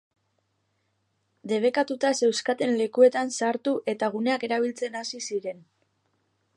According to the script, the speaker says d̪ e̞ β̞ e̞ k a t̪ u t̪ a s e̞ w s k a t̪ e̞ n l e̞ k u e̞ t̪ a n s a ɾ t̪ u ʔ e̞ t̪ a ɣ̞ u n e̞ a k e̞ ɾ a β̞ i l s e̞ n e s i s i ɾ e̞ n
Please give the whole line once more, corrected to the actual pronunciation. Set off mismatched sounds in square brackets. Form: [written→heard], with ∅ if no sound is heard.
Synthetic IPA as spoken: d̪ e̞ β̞ e̞ k a t̪ u t̪ a s e̞ w s k a t̪ e̞ n l e̞ k u e̞ t̪ a n s a ɾ t̪ u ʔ e̞ t̪ a ɣ̞ u n e̞ a k e̞ ɾ a β̞ i l [s→t͡s] e̞ n [e→a] s i s i ɾ e̞ n

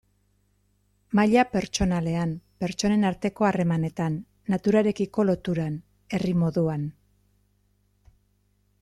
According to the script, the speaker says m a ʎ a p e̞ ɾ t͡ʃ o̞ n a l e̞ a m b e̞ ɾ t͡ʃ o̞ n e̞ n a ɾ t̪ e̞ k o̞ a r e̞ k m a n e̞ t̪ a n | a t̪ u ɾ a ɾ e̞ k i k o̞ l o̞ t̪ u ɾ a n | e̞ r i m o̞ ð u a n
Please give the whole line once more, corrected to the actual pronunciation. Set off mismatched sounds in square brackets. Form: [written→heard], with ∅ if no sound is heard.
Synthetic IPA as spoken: m a ʎ a p e̞ ɾ t͡ʃ o̞ n a l e̞ a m [b→p] e̞ ɾ t͡ʃ o̞ n e̞ n a ɾ t̪ e̞ k o̞ a r e̞ [k→∅] m a n e̞ t̪ a [n→nː] | a t̪ u ɾ a ɾ e̞ k i k o̞ l o̞ t̪ u ɾ a n | e̞ r i m o̞ ð u a n

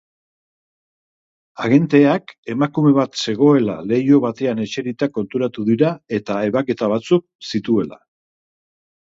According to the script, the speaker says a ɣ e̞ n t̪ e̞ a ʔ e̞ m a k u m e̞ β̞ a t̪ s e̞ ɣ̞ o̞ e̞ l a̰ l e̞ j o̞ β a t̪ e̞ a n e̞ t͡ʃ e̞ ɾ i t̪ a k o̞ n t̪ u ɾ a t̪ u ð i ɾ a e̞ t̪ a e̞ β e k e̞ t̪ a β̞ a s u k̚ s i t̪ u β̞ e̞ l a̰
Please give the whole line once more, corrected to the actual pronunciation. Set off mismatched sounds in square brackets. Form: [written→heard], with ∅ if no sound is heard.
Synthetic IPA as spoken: a ɣ e̞ n t̪ e̞ a [ʔ→k] e̞ m a k u m e̞ β̞ a t̪ s e̞ ɣ̞ o̞ e̞ l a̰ l e̞ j o̞ β a t̪ e̞ a n e̞ t͡ʃ e̞ ɾ i t̪ a k o̞ n t̪ u ɾ a t̪ u ð i ɾ a e̞ t̪ a e̞ β [e→a] k e̞ t̪ a β̞ a [s→t͡s] u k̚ s i t̪ u [β̞→∅] e̞ l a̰

